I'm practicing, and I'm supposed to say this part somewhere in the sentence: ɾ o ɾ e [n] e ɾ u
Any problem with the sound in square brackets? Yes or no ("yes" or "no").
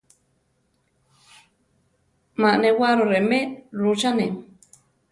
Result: yes